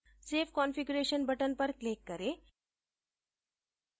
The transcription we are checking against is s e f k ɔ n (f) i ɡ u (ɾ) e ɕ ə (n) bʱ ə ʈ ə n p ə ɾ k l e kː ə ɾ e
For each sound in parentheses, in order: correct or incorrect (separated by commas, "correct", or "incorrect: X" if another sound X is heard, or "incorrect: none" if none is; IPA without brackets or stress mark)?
correct, correct, correct